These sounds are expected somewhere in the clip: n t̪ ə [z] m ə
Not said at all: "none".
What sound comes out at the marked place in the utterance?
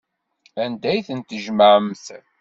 ʒ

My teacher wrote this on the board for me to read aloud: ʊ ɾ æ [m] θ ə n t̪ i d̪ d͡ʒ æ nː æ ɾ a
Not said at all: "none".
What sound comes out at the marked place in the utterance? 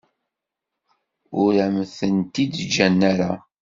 m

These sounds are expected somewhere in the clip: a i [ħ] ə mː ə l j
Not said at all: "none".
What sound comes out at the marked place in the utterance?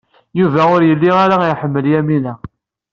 ħ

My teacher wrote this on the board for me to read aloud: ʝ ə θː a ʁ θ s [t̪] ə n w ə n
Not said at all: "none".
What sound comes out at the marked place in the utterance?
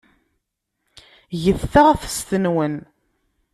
t̪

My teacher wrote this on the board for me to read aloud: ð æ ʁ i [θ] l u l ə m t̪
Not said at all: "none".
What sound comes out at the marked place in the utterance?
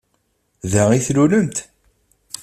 θ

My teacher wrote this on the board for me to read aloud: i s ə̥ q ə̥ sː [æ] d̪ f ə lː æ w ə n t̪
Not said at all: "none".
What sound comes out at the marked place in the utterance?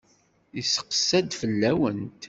æ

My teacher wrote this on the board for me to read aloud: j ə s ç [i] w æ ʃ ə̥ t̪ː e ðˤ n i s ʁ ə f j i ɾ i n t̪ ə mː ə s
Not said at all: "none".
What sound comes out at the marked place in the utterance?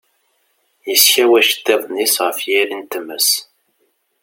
æ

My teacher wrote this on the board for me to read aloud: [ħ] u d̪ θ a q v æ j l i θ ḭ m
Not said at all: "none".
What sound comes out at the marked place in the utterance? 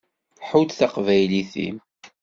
ħ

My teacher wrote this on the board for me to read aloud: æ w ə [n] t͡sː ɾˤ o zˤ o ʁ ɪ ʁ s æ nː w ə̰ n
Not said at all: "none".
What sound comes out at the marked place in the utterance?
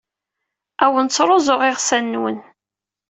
n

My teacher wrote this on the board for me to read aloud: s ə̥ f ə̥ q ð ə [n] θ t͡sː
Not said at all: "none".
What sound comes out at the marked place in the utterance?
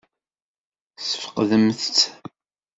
m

